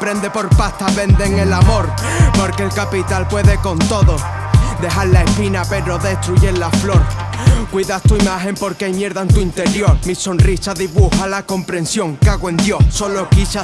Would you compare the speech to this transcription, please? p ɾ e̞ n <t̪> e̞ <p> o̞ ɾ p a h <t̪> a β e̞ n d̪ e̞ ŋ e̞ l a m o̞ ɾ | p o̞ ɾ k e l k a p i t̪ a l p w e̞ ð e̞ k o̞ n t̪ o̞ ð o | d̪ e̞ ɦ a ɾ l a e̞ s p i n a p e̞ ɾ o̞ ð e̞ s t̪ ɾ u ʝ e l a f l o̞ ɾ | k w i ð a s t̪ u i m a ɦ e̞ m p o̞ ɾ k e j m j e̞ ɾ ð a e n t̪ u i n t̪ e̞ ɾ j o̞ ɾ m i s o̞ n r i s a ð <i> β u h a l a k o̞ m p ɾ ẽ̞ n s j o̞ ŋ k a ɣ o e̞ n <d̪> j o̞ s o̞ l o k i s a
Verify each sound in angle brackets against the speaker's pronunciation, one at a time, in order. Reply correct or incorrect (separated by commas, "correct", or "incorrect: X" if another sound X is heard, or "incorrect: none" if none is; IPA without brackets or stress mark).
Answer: incorrect: d̪, correct, correct, correct, correct